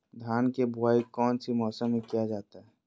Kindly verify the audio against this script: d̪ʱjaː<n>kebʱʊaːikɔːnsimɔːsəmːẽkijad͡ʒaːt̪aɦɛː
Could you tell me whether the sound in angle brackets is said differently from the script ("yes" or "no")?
no